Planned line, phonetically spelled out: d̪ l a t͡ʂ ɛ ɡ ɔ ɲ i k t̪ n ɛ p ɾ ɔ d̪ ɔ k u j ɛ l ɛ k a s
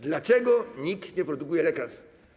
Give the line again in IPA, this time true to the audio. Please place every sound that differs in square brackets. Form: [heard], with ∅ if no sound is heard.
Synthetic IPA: d̪ l a t͡ʂ ɛ ɡ ɔ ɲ i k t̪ [ɲ] ɛ p ɾ ɔ d̪ [u] k u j ɛ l ɛ k a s